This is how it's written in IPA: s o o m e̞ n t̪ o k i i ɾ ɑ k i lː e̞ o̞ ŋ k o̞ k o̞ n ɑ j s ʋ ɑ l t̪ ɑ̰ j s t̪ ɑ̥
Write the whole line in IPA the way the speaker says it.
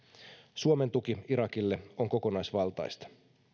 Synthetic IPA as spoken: s u o m e̞ n t̪ u k i i ɾ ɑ k i lː e̞ o̞ ŋ k o̞ k o̞ n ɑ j s ʋ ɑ l t̪ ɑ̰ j s t̪ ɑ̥